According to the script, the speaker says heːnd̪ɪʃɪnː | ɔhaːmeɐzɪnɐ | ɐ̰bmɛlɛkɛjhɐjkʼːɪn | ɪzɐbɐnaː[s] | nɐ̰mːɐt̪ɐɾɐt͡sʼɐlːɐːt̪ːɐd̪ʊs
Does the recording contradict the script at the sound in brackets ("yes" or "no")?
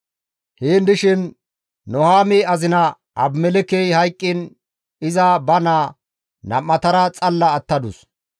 yes